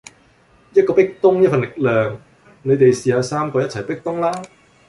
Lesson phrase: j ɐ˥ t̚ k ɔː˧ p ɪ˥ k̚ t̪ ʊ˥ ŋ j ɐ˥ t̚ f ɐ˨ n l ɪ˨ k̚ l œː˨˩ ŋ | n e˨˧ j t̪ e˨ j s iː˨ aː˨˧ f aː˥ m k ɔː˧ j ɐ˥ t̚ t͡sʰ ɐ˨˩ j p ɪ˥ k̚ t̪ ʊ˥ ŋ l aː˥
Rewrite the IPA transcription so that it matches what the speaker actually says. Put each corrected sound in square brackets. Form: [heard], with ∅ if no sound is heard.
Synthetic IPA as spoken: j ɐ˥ t̚ k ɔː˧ p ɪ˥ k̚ t̪ ʊ˥ ŋ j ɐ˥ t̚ f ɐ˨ n l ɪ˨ k̚ l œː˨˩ ŋ | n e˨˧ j t̪ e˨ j s iː˨ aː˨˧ [s] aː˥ m k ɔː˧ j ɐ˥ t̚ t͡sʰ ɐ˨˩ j p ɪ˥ k̚ t̪ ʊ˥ ŋ l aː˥